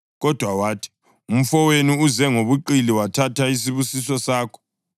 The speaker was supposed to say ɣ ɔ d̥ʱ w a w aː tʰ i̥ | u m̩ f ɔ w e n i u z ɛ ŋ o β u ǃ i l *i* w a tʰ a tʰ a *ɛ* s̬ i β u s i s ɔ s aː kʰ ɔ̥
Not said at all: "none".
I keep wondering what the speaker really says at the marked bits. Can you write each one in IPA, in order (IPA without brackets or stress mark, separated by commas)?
i, i